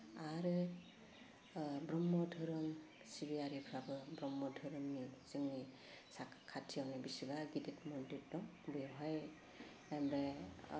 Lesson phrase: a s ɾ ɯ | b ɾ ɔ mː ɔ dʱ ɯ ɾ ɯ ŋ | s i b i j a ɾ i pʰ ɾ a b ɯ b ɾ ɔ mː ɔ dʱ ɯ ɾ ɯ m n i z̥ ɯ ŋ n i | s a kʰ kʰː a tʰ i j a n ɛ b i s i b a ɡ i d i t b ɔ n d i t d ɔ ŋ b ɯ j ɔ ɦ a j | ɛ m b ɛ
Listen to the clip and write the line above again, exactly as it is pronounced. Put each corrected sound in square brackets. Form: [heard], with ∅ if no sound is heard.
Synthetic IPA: a [∅] ɾ ɯ | b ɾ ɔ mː ɔ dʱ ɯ ɾ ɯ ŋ | s i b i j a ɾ i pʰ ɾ a b ɯ b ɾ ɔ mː ɔ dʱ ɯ ɾ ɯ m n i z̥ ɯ ŋ n i | s a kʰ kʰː a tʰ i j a n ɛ b i s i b a ɡ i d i t [m] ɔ n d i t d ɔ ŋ b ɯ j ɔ ɦ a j | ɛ m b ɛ